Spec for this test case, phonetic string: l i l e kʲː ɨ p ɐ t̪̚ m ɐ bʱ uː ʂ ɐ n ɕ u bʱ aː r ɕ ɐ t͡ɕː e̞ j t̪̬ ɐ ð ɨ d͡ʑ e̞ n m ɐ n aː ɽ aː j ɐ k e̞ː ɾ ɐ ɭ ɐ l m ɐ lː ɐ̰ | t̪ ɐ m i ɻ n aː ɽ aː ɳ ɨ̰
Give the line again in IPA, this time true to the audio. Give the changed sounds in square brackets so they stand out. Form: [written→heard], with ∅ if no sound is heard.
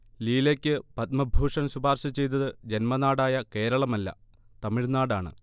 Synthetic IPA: l [i→iː] l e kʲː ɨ p ɐ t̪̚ m ɐ bʱ uː ʂ ɐ n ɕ u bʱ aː r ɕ ɐ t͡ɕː e̞ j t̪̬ ɐ ð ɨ d͡ʑ e̞ n m ɐ n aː ɽ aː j ɐ k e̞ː ɾ ɐ ɭ ɐ [l→∅] m ɐ lː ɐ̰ | t̪ ɐ m i ɻ n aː ɽ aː ɳ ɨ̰